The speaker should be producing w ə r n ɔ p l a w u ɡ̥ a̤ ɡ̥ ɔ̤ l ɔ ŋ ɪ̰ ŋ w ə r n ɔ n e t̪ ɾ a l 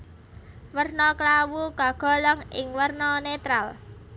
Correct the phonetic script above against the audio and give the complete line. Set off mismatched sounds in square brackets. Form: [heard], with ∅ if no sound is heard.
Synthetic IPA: w ə r n ɔ [k] l a w u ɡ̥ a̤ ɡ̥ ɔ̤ l ɔ ŋ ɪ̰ ŋ w ə r n ɔ n e t̪ ɾ a l